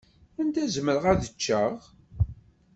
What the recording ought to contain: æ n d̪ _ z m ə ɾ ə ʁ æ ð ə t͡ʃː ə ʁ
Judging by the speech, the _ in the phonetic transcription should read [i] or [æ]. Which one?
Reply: æ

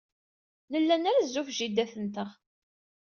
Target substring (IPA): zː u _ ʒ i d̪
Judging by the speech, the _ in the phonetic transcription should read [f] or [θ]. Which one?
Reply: f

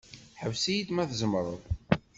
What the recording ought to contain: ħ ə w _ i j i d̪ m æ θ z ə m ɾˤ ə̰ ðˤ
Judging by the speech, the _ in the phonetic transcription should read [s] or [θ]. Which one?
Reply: s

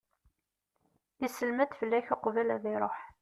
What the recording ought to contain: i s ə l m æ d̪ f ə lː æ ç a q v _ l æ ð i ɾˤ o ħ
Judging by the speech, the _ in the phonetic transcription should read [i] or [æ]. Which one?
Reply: æ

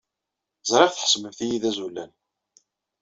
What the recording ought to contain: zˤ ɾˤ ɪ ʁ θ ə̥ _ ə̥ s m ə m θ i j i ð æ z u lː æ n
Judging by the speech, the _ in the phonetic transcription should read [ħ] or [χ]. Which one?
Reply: ħ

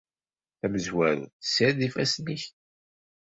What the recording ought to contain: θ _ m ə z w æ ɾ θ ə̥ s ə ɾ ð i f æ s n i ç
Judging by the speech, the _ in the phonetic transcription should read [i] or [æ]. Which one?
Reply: æ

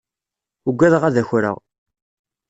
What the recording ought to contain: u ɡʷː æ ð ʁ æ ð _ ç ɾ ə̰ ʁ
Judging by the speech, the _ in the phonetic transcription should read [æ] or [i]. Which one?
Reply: æ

